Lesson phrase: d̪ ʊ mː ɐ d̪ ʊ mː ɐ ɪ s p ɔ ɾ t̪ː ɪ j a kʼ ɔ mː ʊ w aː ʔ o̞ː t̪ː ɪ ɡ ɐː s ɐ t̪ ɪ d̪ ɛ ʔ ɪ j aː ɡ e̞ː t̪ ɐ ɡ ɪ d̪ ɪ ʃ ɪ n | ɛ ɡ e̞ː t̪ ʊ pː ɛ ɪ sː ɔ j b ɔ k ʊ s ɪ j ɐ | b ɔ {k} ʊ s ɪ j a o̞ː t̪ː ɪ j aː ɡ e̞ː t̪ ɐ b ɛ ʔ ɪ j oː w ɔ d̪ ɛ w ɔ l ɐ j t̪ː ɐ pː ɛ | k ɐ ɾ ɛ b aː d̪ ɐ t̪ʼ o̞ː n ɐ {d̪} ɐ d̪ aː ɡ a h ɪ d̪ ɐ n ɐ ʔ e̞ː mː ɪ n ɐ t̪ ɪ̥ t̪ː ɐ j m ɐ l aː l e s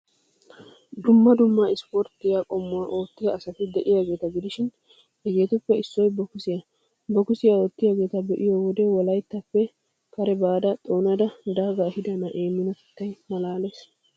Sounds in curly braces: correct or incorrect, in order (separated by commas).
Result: correct, correct